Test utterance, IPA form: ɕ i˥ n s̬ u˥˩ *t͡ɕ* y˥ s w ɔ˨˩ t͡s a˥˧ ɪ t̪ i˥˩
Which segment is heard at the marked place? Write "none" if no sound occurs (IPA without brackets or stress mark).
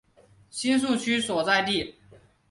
t͡ɕʰ